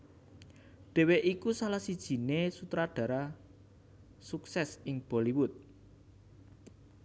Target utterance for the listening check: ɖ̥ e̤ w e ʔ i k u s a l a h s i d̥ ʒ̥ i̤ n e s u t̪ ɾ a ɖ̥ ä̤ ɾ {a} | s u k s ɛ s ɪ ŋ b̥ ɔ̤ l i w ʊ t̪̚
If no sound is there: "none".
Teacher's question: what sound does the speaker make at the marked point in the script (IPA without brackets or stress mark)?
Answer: a